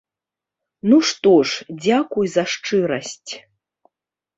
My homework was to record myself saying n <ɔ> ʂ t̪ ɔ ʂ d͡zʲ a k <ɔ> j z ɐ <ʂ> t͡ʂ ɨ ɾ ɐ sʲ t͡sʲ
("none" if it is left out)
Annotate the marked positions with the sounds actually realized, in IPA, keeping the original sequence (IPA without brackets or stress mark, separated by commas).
u, u, ʂ